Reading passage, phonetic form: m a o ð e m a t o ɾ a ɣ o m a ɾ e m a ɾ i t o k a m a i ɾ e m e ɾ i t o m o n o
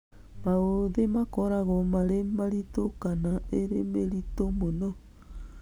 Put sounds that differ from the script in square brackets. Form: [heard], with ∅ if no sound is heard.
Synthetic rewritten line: m a o ð e m a [k] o ɾ a ɣ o m a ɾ e m a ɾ i t o k a [n] a [e] ɾ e m e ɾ i t o m o n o

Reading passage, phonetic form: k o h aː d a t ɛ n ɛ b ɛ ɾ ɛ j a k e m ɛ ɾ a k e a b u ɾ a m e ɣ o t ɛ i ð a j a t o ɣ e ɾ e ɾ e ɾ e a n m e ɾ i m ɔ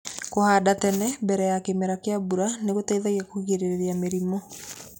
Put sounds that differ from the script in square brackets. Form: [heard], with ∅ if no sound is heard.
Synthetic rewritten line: k o h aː d a t ɛ n ɛ b ɛ ɾ ɛ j a k e m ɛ ɾ a k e a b u ɾ a [n] e ɣ o t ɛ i ð a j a [k] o ɣ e ɾ e ɾ e ɾ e a [∅] m e ɾ i m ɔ

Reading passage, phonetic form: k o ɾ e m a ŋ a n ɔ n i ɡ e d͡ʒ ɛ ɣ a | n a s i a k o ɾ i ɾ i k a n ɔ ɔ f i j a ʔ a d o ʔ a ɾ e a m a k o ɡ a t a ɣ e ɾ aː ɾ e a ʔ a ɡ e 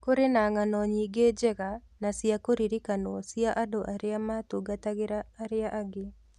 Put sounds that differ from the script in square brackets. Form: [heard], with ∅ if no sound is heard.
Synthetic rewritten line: k o ɾ e [n] a ŋ a n ɔ [ɲ] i ɡ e d͡ʒ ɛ ɣ a | n a s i a k o ɾ i ɾ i k a n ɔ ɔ [s] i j a ʔ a d o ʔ a ɾ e a m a [t] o ɡ a t a ɣ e ɾ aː ɾ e a ʔ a ɡ e

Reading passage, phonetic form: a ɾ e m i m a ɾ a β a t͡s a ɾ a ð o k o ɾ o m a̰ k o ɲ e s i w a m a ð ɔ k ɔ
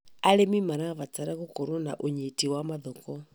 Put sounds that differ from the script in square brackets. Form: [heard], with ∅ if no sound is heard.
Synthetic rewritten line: a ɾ e m i m a ɾ a β a t͡s a ɾ a [ɣ] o k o ɾ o [n] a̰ [ʔ] o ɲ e [t] i w a m a ð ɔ k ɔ

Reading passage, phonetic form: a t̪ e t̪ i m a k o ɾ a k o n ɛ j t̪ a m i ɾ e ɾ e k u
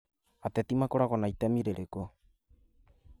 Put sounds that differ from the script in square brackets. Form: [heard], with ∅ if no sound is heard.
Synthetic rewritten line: a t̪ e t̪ i m a k o ɾ a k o n [a] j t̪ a m i ɾ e ɾ e k [o]

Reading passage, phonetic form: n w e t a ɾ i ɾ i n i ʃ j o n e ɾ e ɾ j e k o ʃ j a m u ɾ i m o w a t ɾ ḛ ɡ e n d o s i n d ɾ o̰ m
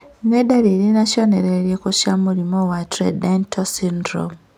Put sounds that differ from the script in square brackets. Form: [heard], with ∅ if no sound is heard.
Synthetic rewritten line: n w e [d] a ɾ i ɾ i n [a] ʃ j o n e ɾ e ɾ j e k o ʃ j a m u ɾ i m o w a t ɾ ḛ [d] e n [t] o s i n d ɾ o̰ m

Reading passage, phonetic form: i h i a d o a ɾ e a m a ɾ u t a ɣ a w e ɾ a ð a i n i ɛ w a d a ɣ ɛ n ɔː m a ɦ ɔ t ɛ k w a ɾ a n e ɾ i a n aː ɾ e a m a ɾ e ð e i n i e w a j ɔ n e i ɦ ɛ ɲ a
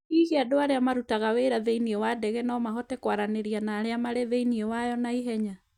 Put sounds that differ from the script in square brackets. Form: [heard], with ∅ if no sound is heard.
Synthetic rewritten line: i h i a d o a ɾ e a m a ɾ u t a ɣ a w e ɾ a ð [e] i n i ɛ w a d [ɛ] ɣ ɛ n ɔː m a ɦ ɔ t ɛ k w a ɾ a n e ɾ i a n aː ɾ e a m a ɾ e ð e i n i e w a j ɔ n [a] i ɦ ɛ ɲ a

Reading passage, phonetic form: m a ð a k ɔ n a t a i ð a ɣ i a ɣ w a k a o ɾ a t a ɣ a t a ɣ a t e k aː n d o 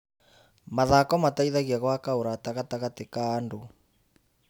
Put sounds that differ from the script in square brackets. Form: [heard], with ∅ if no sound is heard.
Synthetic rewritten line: m a ð a k ɔ [m] a t a i ð a ɣ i a ɣ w a k a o ɾ a t a ɣ a t a ɣ a t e k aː n d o

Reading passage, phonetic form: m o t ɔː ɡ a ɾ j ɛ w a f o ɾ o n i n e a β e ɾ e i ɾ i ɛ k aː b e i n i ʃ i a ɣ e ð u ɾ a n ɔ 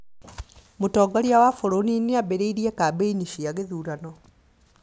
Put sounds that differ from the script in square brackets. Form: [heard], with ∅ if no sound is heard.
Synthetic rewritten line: m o t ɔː ɡ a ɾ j [a] w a f o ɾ o n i n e a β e ɾ e i ɾ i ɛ k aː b e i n i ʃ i a ɣ e ð u ɾ a n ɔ

